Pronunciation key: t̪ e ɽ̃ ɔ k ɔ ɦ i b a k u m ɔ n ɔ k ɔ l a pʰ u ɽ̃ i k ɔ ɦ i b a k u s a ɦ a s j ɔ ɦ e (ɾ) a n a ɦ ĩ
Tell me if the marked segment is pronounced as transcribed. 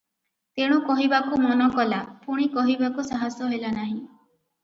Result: no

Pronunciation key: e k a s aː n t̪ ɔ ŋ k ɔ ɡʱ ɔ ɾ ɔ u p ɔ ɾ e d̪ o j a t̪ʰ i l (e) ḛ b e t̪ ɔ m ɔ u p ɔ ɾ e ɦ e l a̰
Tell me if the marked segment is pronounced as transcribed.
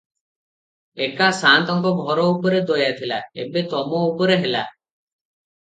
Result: no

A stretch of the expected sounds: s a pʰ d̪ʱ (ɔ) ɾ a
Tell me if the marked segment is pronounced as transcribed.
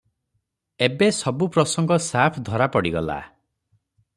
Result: yes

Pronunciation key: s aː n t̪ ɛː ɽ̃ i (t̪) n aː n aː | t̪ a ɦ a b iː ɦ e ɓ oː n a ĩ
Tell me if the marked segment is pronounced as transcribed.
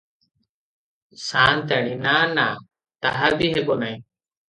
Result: no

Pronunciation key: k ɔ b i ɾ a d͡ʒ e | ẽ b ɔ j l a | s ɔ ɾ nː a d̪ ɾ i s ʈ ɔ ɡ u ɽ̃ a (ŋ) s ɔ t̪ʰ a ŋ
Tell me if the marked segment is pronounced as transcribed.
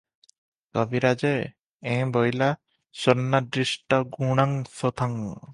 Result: yes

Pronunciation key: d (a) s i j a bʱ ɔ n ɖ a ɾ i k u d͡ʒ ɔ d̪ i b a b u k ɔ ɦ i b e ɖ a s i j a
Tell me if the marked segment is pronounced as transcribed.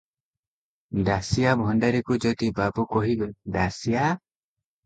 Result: yes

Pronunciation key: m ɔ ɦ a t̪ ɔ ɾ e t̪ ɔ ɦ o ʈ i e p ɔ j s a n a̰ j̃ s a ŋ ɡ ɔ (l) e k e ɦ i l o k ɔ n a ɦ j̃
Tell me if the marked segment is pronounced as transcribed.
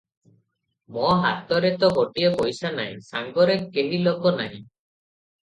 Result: no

